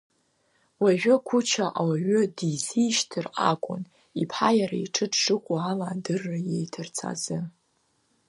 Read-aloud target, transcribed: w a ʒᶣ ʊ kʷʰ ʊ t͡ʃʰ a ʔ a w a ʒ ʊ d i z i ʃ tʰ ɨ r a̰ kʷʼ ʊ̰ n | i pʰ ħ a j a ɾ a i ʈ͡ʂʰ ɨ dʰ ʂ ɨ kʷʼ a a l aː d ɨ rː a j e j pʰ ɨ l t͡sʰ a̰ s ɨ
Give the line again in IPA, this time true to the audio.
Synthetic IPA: w a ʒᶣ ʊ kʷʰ ʊ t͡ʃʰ a ʔ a w a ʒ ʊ d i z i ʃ tʰ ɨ r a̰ kʷʼ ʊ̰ n | i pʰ ħ a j a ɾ a i ʈ͡ʂʰ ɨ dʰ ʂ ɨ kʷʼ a a l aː d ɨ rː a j e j tʰ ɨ r t͡sʰ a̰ z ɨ